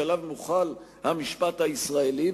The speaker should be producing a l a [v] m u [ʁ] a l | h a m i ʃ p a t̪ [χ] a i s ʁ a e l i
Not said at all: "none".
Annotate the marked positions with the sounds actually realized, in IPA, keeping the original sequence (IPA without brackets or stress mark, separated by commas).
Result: v, χ, h